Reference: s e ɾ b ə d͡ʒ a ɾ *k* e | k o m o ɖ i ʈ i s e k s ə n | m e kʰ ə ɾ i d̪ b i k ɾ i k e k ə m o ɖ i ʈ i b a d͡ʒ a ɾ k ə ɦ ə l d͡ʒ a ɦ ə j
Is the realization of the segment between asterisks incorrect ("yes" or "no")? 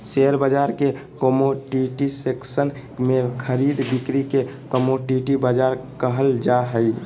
no